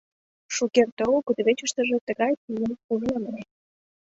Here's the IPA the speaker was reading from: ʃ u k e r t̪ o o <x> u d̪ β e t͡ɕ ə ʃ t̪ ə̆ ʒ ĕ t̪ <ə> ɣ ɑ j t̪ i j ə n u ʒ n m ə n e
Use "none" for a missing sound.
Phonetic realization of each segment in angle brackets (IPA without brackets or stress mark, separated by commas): k, ə